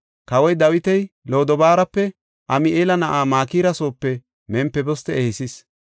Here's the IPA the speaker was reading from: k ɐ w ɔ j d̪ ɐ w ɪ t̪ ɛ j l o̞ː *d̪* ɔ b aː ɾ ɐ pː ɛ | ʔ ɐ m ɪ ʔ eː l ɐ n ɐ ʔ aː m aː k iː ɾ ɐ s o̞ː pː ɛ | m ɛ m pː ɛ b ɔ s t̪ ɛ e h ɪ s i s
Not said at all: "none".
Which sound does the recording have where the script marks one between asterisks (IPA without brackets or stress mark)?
d̪